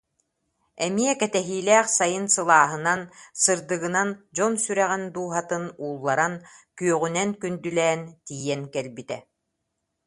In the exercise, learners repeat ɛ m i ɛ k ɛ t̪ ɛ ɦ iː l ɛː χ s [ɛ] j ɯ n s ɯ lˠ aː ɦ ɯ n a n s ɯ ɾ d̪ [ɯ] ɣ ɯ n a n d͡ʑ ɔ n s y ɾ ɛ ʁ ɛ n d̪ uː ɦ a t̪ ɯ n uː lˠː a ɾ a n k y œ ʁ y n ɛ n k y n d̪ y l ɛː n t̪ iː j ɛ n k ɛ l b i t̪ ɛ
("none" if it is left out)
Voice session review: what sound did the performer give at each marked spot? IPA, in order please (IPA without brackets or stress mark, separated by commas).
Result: a, ɯ